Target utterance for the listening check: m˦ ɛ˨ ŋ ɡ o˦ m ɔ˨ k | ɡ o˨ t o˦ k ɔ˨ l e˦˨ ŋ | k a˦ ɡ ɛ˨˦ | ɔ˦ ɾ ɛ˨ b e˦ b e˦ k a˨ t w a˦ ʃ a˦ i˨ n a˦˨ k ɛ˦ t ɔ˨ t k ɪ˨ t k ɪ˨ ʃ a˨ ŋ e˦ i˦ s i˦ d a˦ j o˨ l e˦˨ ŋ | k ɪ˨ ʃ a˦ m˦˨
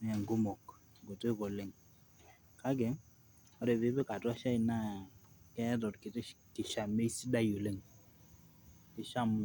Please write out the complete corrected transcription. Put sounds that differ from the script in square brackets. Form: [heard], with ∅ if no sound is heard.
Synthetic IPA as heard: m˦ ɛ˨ ŋ ɡ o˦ m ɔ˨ k | ɡ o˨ t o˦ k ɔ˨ l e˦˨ ŋ | k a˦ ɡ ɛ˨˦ | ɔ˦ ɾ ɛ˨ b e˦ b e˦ k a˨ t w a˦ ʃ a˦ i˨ n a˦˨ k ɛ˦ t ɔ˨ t k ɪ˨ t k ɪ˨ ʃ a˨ [m] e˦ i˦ s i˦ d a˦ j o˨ l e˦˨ ŋ | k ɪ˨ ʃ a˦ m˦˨